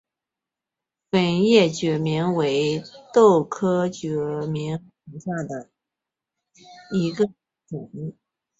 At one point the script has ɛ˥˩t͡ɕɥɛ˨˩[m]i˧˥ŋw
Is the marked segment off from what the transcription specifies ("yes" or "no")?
no